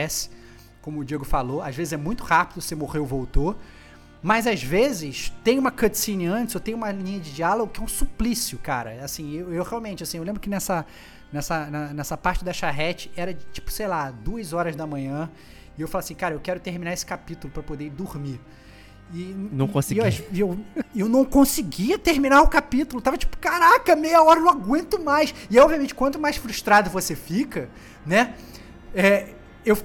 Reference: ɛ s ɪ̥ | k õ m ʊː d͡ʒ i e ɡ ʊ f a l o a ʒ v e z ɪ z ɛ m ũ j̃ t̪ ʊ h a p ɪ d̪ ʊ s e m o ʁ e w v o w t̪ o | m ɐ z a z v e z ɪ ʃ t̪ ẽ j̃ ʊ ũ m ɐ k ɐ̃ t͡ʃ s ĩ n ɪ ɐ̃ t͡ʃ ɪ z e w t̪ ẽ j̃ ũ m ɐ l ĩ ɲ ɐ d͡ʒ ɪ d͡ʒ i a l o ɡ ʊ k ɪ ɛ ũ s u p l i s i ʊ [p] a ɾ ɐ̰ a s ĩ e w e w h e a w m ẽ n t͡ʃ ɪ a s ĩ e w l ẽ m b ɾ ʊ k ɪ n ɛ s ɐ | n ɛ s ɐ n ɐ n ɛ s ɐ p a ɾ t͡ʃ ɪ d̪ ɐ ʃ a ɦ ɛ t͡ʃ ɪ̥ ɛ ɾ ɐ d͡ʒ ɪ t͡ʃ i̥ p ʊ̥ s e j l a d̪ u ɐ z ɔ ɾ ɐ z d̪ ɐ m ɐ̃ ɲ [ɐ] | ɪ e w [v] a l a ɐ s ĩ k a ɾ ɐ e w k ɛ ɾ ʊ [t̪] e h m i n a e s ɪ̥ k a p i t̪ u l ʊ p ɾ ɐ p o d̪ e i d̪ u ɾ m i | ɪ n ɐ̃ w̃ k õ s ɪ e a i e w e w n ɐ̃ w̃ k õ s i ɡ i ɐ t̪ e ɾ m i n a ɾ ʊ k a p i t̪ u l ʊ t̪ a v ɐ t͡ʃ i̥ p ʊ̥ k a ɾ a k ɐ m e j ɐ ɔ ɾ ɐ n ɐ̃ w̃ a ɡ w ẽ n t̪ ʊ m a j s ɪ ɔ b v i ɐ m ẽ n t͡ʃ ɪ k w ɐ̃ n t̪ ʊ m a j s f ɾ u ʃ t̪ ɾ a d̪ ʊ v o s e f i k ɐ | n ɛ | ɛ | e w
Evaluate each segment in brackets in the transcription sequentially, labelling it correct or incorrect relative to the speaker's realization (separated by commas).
incorrect, incorrect, incorrect, correct